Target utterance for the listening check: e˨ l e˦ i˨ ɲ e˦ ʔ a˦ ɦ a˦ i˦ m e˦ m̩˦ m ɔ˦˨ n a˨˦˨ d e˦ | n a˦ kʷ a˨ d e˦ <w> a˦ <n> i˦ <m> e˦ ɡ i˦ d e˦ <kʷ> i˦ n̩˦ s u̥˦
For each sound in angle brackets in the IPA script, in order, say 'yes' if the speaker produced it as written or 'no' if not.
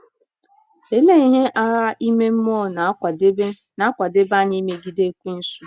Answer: no, no, yes, yes

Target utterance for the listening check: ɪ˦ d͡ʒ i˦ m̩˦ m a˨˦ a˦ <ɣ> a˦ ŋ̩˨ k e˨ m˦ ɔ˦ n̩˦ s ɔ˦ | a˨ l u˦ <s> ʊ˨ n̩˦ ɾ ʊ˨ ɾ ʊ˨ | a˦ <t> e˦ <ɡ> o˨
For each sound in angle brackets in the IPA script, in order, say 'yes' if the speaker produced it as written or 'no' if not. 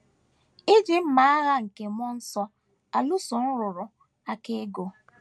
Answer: yes, yes, no, yes

